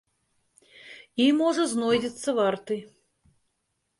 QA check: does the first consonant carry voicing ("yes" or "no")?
yes